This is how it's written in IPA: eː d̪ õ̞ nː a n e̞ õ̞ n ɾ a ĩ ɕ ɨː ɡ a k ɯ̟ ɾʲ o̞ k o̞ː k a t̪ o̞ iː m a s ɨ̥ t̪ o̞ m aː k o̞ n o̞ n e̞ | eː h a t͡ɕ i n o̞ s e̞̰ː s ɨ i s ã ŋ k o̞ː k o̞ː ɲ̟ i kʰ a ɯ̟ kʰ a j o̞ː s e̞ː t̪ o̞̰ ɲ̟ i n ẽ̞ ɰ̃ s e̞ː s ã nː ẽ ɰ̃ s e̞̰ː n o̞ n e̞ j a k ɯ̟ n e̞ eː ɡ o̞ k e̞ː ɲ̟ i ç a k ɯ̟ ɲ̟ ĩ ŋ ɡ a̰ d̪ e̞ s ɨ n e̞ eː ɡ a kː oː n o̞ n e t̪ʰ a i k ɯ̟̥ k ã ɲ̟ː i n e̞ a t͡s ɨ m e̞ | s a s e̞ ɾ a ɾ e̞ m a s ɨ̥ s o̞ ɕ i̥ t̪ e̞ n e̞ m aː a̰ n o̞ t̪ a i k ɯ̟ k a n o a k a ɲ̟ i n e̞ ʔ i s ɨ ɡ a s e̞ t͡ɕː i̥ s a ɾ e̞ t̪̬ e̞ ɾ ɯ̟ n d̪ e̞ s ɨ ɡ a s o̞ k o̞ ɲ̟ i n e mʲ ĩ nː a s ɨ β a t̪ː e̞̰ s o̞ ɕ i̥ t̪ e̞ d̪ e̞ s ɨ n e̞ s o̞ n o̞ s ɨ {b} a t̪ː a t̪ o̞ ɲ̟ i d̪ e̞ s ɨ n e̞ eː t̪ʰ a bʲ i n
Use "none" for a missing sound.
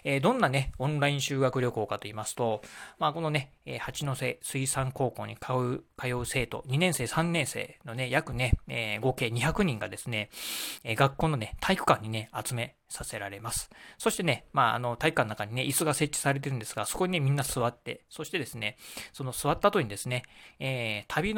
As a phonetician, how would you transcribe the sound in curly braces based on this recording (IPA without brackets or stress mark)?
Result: β